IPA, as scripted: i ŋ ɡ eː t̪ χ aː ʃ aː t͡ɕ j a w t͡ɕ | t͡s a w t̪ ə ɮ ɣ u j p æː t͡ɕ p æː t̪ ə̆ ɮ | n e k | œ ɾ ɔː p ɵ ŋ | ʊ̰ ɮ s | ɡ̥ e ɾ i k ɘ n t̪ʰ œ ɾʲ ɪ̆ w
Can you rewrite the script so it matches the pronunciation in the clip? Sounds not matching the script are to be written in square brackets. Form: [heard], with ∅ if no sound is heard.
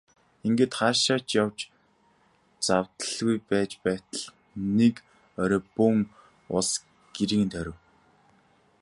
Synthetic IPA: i ŋ ɡ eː t̪ χ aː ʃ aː t͡ɕ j a w t͡ɕ | t͡s a w t̪ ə ɮ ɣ u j p æː t͡ɕ p æː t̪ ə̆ ɮ | n e k | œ ɾ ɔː p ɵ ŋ | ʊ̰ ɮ s | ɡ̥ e ɾ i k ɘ n t̪ʰ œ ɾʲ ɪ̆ w